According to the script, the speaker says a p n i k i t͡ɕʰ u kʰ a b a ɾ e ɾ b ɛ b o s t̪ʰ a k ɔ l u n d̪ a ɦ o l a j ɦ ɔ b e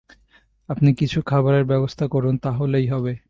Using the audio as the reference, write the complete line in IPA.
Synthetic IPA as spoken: a p n i k i t͡ɕʰ u kʰ a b a ɾ e ɾ b ɛ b o s t̪ʰ a k ɔ ɾ u n t̪ a ɦ o l e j ɦ ɔ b e